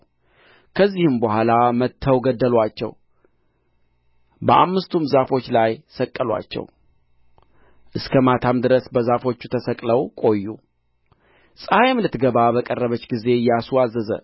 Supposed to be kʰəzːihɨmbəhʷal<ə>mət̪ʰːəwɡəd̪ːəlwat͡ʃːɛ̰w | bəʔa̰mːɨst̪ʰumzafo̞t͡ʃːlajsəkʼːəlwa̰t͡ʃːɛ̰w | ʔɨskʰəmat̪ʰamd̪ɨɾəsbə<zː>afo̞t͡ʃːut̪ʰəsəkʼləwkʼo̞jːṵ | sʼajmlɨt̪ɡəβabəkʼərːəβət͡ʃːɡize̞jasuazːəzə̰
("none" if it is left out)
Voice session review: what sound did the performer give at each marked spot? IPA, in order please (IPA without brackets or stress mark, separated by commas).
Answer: a, z